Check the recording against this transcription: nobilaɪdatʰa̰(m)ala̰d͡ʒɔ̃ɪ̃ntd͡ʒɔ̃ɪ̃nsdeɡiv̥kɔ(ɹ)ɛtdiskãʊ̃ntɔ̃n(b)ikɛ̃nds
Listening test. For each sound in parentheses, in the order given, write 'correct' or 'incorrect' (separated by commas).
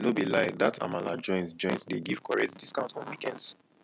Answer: correct, correct, incorrect